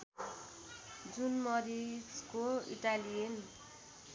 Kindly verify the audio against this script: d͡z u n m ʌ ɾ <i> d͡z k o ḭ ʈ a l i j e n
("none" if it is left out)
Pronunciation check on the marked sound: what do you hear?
i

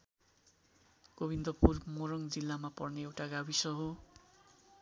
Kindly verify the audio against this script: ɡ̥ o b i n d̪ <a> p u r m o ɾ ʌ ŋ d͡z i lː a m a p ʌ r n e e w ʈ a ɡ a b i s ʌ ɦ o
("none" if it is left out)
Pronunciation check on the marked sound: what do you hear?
ʌ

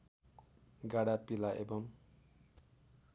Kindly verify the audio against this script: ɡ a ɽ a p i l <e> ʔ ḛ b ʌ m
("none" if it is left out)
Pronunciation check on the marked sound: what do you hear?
a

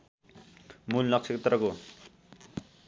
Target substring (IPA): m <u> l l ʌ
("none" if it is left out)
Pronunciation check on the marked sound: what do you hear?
u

